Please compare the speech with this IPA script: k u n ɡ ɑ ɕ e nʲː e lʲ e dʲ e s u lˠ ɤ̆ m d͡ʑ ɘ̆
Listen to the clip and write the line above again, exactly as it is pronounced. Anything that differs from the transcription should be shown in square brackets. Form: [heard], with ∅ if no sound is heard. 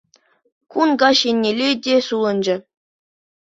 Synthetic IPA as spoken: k u n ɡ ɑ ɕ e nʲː e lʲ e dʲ e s u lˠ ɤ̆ [n] d͡ʑ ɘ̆